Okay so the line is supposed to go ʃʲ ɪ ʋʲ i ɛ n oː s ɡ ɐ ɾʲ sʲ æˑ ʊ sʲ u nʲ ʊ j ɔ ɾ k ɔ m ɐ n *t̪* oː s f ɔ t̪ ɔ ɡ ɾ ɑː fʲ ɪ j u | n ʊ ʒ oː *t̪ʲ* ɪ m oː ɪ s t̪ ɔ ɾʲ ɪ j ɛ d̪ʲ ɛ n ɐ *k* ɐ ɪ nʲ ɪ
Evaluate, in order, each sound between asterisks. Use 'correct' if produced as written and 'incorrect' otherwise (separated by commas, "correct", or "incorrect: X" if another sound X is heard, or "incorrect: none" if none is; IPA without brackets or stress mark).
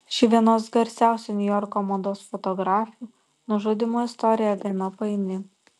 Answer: incorrect: d̪, incorrect: d̪ʲ, incorrect: p